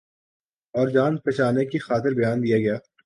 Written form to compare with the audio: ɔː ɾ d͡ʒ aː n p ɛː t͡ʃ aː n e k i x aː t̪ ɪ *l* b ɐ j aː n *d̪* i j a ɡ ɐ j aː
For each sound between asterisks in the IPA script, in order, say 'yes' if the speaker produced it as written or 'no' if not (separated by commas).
no, yes